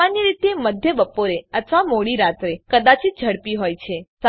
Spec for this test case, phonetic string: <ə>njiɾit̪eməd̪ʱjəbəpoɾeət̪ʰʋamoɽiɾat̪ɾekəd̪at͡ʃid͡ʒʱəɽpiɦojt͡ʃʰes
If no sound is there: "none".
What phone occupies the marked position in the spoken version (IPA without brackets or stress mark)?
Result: a